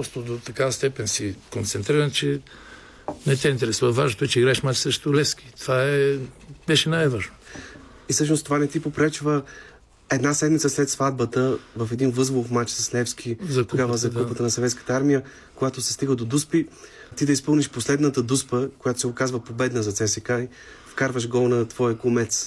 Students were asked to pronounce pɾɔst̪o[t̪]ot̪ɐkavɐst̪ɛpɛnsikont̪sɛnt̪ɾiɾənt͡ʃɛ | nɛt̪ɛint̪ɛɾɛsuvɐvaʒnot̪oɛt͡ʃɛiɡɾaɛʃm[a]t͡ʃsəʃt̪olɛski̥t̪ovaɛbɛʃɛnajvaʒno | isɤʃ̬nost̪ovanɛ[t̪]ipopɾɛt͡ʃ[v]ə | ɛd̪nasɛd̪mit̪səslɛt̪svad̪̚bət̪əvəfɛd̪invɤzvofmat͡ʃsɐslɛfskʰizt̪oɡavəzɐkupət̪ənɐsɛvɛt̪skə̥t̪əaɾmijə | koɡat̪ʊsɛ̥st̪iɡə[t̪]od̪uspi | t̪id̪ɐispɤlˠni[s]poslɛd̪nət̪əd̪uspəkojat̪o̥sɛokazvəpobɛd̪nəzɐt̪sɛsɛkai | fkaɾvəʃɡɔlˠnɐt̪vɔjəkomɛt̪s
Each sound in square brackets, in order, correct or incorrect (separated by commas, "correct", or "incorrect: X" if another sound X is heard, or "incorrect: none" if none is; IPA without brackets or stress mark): incorrect: d̪, correct, correct, correct, incorrect: d̪, incorrect: ʃ